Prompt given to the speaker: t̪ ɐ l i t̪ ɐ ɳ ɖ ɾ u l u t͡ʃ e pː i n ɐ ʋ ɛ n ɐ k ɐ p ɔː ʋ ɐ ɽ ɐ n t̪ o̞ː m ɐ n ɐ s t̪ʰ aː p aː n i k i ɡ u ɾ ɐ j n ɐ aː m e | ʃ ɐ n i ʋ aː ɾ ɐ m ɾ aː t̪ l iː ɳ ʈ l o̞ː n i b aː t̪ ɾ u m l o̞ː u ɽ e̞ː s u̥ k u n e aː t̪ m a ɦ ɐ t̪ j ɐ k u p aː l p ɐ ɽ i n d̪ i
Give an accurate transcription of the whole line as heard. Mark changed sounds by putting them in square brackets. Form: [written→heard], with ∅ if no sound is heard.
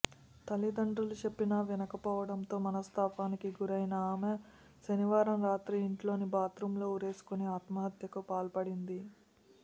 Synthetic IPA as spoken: t̪ ɐ l i [t̪→d̪] ɐ ɳ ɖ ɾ u l u t͡ʃ e pː i n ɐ ʋ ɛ n ɐ k ɐ p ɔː ʋ ɐ ɽ ɐ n t̪ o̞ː m ɐ n ɐ s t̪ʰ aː p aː n i k i ɡ u ɾ ɐ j n ɐ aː m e | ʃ ɐ n i ʋ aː ɾ ɐ m ɾ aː t̪ [l→ɾ] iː ɳ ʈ l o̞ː n i b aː t̪ ɾ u m l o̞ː u [ɽ→ɾ] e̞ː s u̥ k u n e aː t̪ m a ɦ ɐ t̪ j ɐ k u p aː l p ɐ ɽ i n d̪ i